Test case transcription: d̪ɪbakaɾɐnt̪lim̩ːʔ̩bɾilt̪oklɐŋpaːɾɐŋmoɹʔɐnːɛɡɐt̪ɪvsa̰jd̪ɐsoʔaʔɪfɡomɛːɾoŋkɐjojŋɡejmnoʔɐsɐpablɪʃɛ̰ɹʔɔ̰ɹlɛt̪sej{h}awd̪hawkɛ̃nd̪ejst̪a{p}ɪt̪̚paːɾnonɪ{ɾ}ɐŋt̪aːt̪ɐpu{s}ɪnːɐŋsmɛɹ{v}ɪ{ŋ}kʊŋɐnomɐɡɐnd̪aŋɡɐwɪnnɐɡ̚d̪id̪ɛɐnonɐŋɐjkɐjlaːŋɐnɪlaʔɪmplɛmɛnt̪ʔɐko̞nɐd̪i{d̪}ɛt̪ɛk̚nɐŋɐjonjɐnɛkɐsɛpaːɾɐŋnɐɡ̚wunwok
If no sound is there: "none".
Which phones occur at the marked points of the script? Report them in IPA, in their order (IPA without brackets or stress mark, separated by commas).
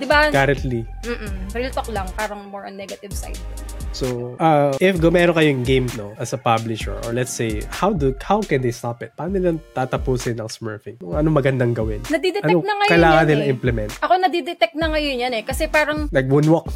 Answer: h, p, l, s, f, ŋ, d̪